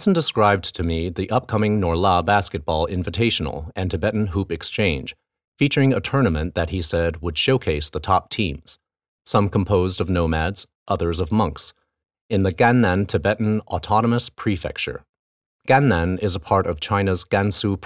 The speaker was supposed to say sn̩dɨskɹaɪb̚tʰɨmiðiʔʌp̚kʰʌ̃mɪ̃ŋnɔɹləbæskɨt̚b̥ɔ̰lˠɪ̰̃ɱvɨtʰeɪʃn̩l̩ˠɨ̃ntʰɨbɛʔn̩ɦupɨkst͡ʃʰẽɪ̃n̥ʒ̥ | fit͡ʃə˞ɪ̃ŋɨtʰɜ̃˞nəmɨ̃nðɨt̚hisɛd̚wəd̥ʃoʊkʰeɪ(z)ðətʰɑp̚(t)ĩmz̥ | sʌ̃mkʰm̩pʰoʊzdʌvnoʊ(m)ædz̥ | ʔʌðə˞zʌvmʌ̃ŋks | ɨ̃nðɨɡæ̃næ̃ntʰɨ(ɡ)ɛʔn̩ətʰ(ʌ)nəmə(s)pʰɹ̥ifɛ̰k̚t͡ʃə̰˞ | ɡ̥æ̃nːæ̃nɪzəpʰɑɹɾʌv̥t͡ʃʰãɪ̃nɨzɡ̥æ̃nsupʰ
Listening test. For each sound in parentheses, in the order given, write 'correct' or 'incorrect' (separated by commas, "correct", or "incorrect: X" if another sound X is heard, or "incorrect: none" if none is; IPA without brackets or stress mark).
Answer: incorrect: s, incorrect: tʰ, correct, incorrect: b, incorrect: ɑ, correct